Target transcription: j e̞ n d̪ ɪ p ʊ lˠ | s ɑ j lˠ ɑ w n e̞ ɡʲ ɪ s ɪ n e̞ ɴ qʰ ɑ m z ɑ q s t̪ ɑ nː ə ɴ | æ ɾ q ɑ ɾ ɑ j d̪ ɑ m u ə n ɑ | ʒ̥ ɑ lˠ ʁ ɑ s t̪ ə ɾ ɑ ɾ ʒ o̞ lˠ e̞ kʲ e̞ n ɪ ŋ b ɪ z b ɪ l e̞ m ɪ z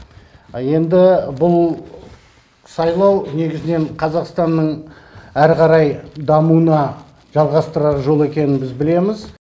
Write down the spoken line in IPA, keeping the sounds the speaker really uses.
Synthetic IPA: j e̞ n d̪ ɪ b ʊ lˠ | s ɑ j lˠ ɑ w n e̞ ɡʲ ɪ z ɪ n e̞ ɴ qʰ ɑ z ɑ q s t̪ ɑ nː ə ɴ | æ ɾ q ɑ ɾ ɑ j d̪ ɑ m u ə n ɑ | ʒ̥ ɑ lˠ ʁ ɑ s t̪ ə ɾ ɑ ɾ ʒ o̞ lˠ e̞ kʲ e̞ n ɪ n b ɪ z b ɪ l e̞ m ɪ z